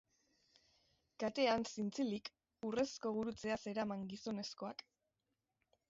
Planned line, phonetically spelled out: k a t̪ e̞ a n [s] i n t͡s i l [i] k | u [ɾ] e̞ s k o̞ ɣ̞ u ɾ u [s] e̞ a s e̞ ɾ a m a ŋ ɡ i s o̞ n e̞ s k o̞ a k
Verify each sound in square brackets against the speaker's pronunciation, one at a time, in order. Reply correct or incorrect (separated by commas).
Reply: correct, correct, incorrect, incorrect